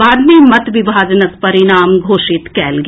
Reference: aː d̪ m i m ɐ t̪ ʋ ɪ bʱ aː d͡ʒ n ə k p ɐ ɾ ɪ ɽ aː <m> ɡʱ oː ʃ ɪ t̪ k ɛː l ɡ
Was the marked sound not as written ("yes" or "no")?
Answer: no